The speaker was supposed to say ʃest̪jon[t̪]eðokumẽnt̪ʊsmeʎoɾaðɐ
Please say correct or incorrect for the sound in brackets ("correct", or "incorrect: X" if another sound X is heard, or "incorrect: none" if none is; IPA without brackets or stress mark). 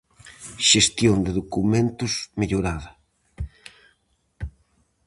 incorrect: d̪